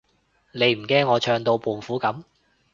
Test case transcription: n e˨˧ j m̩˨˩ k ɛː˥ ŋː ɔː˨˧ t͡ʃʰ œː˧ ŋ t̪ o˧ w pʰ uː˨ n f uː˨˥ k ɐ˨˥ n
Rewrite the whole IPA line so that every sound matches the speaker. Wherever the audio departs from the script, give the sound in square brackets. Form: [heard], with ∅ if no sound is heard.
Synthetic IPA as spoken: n e˨˧ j m̩˨˩ k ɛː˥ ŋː ɔː˨˧ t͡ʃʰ œː˧ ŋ t̪ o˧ w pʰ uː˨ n f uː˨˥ k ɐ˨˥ [m]